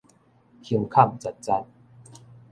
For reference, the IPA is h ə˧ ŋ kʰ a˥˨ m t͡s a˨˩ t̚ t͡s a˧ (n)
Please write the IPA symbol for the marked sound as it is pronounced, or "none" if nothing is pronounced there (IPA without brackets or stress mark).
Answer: n